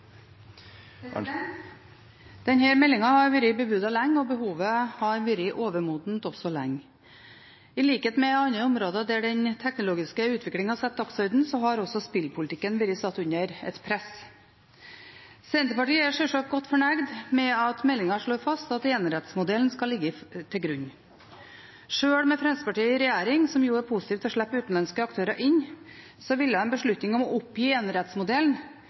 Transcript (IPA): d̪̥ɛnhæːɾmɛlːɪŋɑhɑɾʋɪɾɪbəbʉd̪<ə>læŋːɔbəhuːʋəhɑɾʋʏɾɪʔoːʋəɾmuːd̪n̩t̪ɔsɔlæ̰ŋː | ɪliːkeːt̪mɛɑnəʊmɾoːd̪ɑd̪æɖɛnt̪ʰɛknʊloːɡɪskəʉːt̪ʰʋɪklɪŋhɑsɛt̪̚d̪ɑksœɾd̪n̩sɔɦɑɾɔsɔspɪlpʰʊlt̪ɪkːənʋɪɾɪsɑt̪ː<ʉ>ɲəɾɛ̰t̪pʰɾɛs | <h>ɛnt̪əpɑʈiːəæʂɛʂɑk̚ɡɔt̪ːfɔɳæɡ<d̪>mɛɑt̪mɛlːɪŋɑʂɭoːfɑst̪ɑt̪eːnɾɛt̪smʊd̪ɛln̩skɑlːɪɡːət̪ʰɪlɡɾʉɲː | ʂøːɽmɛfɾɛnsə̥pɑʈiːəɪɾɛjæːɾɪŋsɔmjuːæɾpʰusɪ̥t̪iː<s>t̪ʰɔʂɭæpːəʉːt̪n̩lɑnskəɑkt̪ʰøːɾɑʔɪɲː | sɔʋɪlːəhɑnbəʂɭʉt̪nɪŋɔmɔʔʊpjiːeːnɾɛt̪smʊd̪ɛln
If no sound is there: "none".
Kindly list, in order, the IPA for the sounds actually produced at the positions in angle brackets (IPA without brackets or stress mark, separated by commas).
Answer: ɑ, ʉ, s, d̪, f